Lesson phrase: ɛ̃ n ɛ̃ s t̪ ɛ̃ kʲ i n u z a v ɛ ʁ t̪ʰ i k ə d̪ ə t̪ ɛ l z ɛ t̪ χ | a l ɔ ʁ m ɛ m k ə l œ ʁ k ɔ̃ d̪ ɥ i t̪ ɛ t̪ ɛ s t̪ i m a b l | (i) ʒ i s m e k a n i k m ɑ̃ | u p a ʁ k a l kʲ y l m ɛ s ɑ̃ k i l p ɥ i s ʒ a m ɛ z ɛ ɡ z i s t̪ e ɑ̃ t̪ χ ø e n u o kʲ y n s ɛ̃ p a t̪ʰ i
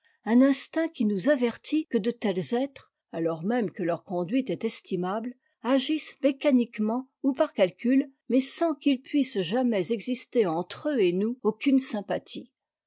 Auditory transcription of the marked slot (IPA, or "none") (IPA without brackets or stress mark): a